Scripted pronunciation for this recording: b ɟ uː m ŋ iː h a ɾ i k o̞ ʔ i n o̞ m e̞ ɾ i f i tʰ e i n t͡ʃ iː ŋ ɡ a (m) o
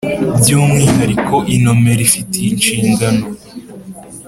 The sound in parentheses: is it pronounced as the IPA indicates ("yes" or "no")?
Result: no